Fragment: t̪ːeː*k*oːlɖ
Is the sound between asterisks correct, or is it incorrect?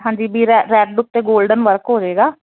incorrect: ɡ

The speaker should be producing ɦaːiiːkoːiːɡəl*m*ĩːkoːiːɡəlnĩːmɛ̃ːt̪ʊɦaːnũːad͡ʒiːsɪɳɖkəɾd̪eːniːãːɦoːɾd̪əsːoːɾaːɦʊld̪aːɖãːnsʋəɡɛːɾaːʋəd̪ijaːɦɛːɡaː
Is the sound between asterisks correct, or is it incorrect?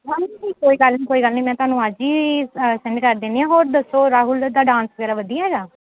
incorrect: n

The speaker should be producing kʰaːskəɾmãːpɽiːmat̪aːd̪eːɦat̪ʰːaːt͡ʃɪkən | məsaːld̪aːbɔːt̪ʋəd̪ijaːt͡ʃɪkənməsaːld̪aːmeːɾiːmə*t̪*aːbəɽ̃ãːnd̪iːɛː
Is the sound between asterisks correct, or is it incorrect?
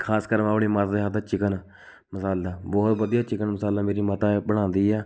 correct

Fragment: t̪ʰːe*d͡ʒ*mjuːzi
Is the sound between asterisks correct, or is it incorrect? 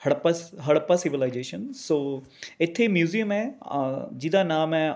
incorrect: none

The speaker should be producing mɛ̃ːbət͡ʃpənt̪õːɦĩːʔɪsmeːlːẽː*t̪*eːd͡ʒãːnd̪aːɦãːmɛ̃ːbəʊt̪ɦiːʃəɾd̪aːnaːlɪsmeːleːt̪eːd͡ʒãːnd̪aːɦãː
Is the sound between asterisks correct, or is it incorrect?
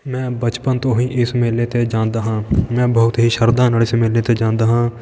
correct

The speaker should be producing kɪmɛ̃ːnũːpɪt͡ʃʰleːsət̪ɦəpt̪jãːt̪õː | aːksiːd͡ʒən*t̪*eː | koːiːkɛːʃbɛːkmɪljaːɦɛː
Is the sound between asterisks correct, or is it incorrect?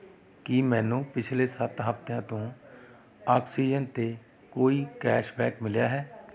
correct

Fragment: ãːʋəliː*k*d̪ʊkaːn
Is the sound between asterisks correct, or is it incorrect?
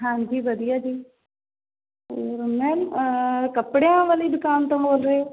incorrect: none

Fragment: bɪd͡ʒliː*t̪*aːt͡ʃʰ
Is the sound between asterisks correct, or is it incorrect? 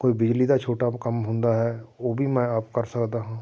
incorrect: d̪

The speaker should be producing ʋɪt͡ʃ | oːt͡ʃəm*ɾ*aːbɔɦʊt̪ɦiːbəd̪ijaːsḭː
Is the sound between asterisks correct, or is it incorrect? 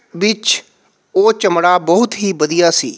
incorrect: ɽ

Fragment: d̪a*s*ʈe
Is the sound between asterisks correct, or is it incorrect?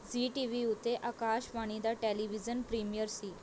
incorrect: none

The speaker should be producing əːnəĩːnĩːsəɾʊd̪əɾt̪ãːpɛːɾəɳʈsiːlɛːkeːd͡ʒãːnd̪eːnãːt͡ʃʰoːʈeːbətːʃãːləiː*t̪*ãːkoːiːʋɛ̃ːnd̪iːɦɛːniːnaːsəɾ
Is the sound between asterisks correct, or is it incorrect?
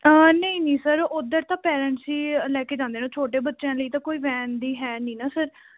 correct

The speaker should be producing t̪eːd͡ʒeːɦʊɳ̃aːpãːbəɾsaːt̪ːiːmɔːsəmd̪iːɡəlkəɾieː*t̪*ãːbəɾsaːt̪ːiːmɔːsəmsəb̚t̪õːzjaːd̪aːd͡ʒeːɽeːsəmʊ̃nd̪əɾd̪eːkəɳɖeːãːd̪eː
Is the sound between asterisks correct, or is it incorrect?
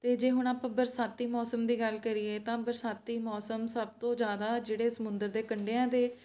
correct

